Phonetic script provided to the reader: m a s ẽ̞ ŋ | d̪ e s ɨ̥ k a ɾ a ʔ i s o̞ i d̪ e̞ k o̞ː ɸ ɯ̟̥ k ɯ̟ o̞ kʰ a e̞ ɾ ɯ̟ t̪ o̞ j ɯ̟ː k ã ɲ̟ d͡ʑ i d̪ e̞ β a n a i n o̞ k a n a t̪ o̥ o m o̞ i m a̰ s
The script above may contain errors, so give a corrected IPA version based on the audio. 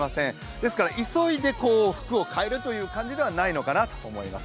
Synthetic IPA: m a s ẽ̞ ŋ | d̪ e s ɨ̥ k a ɾ a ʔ i s o̞ i d̪ e̞ k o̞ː ɸ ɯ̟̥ k ɯ̟ o̞ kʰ a e̞ ɾ ɯ̟ t̪ o̞ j ɯ̟ː k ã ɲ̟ d͡ʑ i d̪ e̞ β a n a i n o̞ k a n a t̪ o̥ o m o̞ i m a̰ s